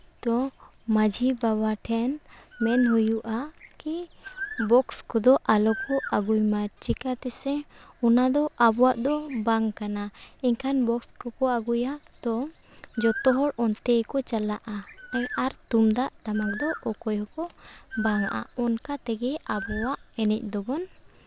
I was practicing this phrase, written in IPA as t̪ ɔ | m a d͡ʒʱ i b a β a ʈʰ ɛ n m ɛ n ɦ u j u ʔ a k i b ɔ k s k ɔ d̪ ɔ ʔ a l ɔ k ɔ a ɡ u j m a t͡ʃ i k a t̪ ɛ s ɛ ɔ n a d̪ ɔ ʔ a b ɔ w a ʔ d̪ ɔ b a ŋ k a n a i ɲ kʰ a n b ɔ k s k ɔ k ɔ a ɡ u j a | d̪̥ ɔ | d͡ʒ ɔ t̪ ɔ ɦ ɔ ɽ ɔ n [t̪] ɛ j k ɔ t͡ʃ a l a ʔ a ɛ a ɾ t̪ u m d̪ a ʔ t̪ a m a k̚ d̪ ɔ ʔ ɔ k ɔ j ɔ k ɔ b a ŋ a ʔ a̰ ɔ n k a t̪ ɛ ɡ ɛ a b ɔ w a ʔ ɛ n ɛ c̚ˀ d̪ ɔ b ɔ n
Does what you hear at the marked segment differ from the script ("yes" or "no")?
no